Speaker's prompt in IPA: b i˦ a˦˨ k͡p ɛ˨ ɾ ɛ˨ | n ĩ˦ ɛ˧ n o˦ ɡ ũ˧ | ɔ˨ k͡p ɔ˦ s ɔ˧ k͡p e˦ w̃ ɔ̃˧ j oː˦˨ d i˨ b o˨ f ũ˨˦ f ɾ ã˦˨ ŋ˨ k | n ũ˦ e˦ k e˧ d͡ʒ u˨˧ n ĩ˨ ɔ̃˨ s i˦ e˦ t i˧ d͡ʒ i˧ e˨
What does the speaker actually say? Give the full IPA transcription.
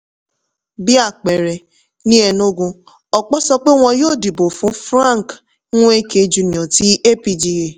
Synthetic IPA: b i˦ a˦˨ k͡p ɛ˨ ɾ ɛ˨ | n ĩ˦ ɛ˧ n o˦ ɡ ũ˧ | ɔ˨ k͡p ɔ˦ s ɔ˧ k͡p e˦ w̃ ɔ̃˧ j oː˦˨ d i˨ b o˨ f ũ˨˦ f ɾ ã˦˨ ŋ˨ k | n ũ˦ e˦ k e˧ d͡ʒ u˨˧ n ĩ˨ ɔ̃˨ t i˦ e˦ p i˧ d͡ʒ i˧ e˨